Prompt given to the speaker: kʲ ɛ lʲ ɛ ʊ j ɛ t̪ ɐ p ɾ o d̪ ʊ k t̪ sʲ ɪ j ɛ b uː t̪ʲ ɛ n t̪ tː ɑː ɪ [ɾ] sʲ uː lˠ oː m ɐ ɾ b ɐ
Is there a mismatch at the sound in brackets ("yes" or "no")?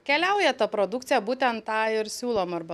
no